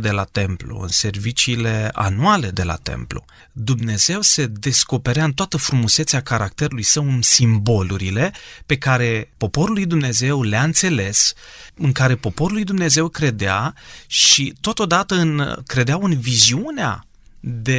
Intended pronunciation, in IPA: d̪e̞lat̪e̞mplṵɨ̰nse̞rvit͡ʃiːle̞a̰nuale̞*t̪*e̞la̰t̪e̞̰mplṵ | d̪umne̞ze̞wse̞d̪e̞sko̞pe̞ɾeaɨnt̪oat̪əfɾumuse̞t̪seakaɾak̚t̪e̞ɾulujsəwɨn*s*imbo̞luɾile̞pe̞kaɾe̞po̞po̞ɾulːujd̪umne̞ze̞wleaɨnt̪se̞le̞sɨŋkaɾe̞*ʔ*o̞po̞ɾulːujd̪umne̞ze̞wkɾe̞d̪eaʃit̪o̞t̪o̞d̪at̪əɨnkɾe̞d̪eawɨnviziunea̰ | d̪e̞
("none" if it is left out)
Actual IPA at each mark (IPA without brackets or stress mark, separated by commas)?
d̪, s, p